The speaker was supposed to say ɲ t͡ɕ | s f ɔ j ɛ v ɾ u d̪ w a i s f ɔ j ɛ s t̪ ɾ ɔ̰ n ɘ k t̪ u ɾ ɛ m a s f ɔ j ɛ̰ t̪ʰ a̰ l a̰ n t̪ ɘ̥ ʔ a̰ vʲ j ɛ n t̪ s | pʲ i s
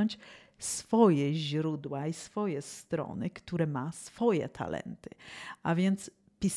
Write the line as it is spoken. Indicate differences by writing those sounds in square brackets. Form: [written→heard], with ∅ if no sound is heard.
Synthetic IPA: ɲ t͡ɕ | s f ɔ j ɛ [v→ʑ] ɾ u d̪ w a i s f ɔ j ɛ s t̪ ɾ ɔ̰ n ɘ k t̪ u ɾ ɛ m a s f ɔ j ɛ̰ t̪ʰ a̰ l [a̰→ɛ̰] n t̪ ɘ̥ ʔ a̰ vʲ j ɛ n t̪ s | pʲ i s